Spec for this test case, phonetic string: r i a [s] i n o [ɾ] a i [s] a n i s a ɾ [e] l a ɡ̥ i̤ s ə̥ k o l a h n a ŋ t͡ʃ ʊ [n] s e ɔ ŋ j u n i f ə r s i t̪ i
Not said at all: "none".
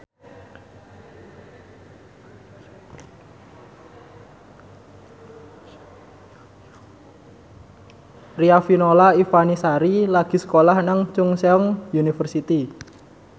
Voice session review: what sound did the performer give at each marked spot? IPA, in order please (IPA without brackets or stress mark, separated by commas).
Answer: f, l, f, i, ŋ